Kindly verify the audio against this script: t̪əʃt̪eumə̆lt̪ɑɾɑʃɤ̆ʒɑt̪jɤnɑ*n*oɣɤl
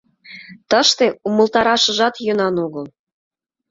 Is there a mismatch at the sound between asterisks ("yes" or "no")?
no